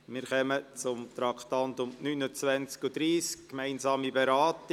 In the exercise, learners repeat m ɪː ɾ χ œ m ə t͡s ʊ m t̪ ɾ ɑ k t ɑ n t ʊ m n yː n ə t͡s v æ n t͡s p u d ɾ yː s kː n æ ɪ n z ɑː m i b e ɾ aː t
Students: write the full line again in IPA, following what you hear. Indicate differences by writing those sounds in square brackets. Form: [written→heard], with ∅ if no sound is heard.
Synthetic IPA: m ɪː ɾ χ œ m ə t͡s ʊ m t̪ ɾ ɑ k t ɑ n t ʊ m n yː n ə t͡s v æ n t͡s [p→k] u d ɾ [yː→iː] s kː [n→m] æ ɪ n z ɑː m i b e ɾ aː t

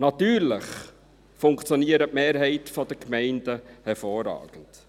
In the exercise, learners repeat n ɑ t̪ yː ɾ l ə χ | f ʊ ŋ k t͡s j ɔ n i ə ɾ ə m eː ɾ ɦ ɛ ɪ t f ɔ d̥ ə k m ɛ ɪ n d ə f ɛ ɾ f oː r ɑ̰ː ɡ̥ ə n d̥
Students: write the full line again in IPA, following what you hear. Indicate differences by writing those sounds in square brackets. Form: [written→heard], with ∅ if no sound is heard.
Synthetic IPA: n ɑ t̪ yː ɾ l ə χ | f ʊ ŋ k t͡s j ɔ n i ə ɾ ə m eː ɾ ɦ ɛ ɪ t f ɔ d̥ ə k m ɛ ɪ n d ə [f→h] ɛ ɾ f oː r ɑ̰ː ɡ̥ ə n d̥

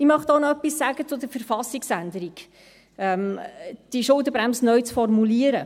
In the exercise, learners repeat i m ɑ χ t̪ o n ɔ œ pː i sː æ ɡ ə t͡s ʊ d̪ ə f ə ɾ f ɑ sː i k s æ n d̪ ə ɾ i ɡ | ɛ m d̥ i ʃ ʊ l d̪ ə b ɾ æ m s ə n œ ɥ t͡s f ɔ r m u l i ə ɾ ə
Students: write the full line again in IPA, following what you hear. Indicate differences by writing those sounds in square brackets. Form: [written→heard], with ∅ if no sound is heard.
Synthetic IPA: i m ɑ χ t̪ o n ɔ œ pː i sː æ ɡ ə t͡s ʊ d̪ ə f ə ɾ f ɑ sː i k s æ n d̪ ə ɾ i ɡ | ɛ m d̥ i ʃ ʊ l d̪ ə b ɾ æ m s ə n œ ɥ t͡s f ɔ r m u l i ə ɾ ə

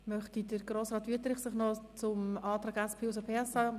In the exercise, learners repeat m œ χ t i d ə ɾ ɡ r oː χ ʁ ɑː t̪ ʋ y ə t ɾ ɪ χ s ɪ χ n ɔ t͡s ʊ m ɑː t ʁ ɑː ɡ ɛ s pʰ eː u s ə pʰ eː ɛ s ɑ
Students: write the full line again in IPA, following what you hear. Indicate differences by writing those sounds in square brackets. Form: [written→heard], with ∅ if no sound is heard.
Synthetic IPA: m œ χ t i d ə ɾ ɡ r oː [χ→s] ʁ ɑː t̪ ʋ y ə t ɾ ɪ χ s ɪ χ n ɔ t͡s ʊ m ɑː t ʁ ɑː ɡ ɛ s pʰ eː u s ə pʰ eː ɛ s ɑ

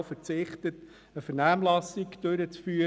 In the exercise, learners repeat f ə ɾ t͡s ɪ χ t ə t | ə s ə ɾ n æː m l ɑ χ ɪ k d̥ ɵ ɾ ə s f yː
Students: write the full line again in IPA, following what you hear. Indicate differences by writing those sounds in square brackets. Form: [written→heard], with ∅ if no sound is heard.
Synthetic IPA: f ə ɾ t͡s ɪ χ t ə t | ə [s→f] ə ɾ n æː m l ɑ [χ→s] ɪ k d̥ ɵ ɾ ə [s→t͡s] f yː

